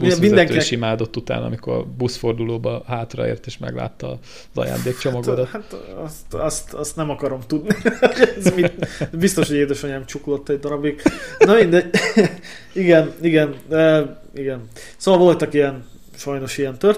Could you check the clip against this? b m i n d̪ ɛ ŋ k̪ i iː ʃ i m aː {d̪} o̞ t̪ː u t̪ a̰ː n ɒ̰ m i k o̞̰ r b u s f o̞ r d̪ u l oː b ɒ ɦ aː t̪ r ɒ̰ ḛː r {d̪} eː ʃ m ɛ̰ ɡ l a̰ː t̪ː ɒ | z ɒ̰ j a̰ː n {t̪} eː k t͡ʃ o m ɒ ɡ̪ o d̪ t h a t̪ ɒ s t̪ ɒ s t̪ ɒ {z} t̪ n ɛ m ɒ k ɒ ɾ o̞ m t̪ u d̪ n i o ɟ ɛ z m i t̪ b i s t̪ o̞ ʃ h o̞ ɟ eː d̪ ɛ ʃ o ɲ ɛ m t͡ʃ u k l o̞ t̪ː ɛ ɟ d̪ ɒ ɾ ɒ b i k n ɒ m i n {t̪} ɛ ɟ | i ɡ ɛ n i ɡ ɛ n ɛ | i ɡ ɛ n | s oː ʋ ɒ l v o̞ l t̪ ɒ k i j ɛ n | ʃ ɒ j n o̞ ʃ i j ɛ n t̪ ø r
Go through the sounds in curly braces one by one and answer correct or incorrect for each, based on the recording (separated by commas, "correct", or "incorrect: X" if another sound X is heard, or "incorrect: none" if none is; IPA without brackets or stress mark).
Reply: correct, incorrect: t̪, incorrect: d̪, incorrect: s, incorrect: d̪